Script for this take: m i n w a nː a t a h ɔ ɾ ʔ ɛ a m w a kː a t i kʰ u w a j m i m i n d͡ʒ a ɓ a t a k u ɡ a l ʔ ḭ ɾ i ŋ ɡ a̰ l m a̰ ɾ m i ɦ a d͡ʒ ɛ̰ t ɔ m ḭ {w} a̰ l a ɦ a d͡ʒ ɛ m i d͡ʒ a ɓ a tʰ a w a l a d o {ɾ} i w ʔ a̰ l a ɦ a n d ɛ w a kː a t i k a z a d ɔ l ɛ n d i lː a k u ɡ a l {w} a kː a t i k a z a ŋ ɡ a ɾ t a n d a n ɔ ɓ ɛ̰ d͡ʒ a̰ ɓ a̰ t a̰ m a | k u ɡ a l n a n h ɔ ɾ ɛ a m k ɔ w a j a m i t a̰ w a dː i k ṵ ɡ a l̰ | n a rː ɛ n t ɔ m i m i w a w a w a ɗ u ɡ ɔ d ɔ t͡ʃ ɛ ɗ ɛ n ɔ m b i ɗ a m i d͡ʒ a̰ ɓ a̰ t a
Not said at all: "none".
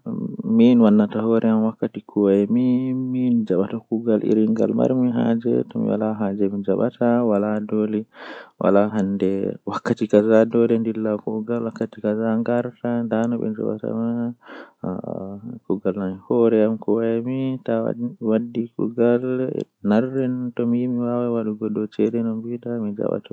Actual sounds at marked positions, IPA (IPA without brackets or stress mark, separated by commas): w, l, w